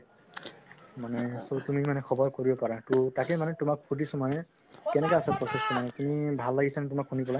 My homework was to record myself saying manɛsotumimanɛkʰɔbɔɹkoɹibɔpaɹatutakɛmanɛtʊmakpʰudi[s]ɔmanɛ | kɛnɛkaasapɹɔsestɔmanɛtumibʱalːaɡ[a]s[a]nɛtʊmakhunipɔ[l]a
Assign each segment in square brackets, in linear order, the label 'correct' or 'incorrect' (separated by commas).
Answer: correct, incorrect, correct, correct